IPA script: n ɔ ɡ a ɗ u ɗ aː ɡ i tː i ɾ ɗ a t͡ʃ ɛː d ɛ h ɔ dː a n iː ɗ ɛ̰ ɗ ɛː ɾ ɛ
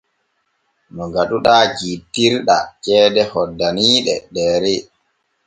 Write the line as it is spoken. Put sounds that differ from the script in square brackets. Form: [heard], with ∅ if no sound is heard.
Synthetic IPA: n ɔ ɡ a ɗ u ɗ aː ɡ i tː i ɾ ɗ a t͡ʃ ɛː d ɛ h ɔ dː a n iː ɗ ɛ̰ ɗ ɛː ɾ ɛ